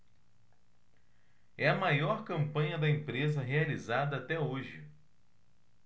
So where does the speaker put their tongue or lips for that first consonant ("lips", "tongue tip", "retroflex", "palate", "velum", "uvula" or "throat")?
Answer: lips